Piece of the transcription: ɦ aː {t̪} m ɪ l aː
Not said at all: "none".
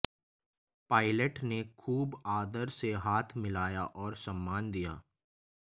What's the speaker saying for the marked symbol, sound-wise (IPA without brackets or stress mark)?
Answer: t̪ʰ